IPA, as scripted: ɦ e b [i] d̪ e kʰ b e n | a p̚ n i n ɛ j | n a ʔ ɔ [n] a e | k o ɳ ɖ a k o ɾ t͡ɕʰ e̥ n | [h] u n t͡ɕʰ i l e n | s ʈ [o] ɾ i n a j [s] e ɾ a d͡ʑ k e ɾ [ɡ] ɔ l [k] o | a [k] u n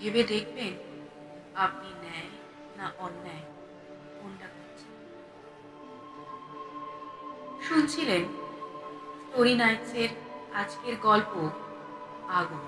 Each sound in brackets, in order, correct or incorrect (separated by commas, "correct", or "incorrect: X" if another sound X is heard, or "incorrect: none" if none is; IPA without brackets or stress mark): incorrect: e, incorrect: nː, incorrect: ʃ, correct, correct, correct, incorrect: p, incorrect: ɡ